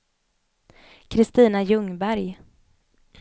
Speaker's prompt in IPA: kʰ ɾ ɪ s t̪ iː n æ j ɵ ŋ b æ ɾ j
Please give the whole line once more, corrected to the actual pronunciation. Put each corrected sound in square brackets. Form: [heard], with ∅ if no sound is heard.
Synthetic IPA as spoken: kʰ ɾ ɪ s t̪ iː n [a] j ɵ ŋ b æ ɾ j